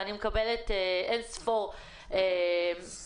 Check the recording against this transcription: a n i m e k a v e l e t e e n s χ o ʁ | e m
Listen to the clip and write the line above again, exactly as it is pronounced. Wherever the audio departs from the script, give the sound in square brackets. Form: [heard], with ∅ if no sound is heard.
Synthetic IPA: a n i m e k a [b] e l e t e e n s [f] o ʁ | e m